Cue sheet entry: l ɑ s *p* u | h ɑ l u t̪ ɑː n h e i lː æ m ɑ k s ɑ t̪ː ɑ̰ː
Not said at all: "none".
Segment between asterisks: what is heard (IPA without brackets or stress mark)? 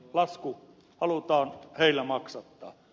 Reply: k